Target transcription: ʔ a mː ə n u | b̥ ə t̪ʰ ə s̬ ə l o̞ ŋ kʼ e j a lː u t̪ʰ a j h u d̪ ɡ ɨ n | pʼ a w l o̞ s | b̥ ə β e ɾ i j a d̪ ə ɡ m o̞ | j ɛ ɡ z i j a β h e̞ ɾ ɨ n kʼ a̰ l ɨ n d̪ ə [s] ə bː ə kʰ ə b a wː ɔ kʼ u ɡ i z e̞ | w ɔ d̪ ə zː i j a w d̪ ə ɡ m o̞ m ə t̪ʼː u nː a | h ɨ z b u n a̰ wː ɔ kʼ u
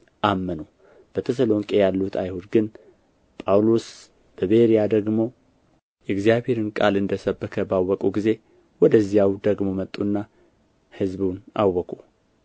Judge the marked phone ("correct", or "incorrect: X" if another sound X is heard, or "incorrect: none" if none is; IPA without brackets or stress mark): correct